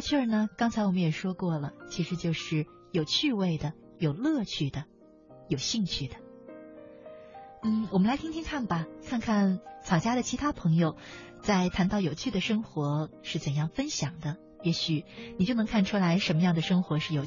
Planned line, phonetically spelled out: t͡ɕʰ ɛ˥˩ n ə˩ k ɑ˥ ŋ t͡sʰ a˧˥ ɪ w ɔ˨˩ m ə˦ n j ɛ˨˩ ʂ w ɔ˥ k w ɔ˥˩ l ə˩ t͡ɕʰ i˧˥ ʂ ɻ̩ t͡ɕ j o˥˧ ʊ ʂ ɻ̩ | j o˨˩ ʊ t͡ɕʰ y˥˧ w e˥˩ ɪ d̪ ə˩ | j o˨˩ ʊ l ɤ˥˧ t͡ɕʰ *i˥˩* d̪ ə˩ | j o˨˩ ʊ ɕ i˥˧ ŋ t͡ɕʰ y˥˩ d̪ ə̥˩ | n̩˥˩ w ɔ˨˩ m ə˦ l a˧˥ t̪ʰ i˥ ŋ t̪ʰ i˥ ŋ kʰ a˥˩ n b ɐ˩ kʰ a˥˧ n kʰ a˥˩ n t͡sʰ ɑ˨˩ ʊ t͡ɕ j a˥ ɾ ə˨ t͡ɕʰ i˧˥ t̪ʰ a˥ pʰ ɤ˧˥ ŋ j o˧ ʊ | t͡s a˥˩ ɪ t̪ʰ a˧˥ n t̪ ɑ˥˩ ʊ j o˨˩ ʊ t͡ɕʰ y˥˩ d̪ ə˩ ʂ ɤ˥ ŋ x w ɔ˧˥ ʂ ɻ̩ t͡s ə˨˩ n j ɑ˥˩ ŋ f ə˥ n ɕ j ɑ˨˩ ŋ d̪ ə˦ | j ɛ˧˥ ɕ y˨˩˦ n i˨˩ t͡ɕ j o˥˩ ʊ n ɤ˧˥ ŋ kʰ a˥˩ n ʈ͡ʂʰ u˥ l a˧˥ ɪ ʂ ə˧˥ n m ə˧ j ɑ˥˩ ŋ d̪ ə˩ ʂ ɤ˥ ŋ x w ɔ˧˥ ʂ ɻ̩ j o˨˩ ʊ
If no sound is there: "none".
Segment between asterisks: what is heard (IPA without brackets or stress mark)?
y˥˩